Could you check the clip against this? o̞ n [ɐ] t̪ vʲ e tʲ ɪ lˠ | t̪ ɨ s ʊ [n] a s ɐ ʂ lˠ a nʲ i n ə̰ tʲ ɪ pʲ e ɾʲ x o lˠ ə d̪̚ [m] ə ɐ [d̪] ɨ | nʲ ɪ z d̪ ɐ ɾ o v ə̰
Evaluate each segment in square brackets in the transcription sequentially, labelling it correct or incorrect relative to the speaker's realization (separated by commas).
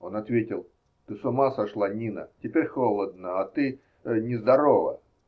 correct, incorrect, incorrect, incorrect